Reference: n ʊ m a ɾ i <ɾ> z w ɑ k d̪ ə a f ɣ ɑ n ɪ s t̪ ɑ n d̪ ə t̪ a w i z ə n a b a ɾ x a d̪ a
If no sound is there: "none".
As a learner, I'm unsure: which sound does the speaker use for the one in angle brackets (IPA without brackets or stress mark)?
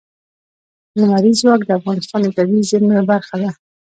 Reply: none